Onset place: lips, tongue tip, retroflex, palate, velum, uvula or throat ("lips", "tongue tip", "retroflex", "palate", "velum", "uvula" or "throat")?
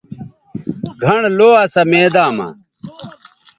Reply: velum